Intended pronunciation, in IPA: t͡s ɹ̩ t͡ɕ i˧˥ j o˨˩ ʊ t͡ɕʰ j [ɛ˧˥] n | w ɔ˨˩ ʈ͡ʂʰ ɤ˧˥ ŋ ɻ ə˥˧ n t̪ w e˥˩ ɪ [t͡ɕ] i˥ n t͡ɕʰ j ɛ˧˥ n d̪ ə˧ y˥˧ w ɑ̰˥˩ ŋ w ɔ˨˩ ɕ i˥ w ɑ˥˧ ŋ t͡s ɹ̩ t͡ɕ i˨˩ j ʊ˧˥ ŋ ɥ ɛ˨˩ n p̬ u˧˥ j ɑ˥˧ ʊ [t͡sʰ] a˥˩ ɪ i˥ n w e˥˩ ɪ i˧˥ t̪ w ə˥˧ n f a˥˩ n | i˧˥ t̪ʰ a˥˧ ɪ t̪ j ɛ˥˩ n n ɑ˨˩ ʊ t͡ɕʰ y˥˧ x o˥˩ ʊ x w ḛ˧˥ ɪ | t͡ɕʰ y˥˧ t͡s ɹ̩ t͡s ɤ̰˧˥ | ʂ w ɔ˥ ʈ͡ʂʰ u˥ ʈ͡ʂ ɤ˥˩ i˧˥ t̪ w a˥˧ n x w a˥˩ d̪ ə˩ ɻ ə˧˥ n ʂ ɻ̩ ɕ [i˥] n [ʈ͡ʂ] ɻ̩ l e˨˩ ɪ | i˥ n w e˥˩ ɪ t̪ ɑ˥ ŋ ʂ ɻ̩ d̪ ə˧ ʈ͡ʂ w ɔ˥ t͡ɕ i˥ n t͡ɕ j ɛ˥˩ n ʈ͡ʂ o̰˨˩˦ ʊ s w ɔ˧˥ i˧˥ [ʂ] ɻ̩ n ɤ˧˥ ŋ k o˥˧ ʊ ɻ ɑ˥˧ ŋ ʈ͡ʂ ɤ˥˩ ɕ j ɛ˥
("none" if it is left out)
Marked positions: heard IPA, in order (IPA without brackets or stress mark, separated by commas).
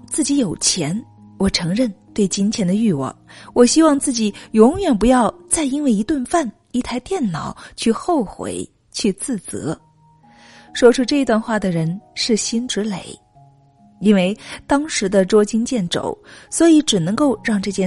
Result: ɛ˧˥, t͡ɕ, t͡s, i˥, ʈ͡ʂ, ʈ͡ʂ